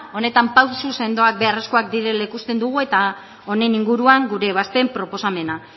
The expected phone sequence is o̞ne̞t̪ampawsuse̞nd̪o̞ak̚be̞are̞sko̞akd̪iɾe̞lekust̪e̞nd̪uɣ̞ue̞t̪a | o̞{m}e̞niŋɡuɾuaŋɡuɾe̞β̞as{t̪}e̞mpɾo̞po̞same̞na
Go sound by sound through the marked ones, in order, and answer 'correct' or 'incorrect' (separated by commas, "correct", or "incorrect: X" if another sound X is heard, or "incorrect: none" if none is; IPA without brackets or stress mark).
incorrect: n, correct